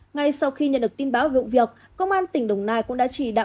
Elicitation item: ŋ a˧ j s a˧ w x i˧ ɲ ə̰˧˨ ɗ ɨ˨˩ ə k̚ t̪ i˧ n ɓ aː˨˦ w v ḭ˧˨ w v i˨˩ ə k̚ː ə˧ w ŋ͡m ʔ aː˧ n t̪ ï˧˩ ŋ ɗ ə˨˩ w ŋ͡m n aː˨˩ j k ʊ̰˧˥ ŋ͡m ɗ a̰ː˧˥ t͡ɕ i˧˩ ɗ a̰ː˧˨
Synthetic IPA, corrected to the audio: ŋ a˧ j s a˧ w x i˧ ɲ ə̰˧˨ ɗ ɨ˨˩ ə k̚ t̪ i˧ n ɓ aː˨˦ w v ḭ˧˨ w v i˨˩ ə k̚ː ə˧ w ŋ͡m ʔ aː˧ n t̪ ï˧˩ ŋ ɗ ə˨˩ w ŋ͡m n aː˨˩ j k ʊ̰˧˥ ŋ͡m ɗ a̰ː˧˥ t͡ɕ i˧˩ ɗ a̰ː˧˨